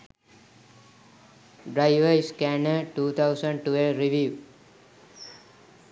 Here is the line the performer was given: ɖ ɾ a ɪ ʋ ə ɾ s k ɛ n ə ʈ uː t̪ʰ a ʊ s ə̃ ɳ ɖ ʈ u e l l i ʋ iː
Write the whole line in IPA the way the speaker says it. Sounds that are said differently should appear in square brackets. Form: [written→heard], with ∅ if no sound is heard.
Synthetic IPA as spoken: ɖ ɾ a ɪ ʋ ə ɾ s k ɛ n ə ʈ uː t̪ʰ a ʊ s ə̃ ɳ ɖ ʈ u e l [l→ɾ] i ʋ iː